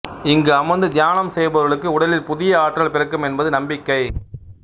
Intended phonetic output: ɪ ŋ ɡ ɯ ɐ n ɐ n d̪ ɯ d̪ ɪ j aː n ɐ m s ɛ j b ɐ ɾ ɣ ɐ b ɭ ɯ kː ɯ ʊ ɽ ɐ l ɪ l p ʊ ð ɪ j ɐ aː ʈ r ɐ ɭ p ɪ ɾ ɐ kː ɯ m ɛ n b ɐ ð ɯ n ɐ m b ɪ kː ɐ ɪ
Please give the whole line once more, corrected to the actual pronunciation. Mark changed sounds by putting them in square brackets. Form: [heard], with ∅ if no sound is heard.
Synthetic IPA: ɪ ŋ ɡ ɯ ɐ [m] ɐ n d̪ ɯ d̪ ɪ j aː n ɐ m s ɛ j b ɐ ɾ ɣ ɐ [∅] ɭ ɯ kː ɯ ʊ ɽ ɐ l ɪ l p ʊ ð ɪ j ɐ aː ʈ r ɐ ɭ p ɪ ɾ ɐ kː ɯ m ɛ n b ɐ ð ɯ n ɐ m b ɪ kː ɐ ɪ